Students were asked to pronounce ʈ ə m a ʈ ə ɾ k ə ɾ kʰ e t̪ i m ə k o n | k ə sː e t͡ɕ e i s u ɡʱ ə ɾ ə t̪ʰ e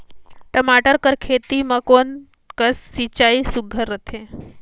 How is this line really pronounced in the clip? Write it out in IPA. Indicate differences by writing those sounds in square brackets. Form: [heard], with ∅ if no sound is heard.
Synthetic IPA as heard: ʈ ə m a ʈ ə ɾ k ə ɾ kʰ e t̪ i m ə k o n | k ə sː [i] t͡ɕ [a] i s u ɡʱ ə ɾ ə t̪ʰ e